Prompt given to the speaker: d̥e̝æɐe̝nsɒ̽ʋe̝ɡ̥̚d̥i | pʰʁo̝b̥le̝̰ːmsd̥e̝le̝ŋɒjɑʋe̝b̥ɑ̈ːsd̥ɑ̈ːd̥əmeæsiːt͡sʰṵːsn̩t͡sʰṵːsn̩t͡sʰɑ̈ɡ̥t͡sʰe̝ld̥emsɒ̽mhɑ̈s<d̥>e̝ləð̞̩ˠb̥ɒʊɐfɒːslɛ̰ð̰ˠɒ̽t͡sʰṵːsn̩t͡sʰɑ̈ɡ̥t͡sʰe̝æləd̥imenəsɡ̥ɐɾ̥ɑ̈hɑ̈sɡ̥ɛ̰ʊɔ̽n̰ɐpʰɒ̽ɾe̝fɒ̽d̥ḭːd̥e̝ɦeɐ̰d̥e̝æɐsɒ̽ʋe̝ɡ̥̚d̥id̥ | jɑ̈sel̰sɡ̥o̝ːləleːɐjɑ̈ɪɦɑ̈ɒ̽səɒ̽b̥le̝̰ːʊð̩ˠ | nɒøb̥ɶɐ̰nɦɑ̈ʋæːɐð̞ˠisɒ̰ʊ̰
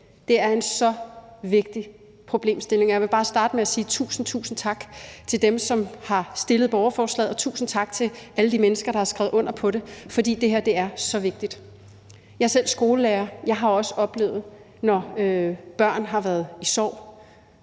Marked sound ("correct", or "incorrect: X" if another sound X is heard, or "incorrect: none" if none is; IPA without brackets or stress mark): correct